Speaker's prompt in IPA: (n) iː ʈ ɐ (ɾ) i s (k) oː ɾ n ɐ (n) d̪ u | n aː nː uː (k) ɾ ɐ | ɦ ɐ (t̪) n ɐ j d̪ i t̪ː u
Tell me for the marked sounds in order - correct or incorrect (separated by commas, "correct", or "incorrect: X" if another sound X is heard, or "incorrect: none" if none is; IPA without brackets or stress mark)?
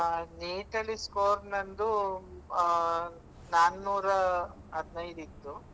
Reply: correct, incorrect: l, correct, correct, incorrect: none, incorrect: d̪